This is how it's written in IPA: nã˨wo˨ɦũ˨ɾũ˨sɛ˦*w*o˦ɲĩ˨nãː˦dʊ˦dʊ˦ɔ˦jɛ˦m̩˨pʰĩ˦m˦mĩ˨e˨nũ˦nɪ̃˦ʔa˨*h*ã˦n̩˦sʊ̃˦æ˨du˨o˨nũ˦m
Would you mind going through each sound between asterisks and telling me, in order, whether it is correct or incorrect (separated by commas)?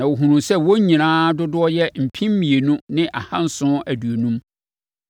correct, correct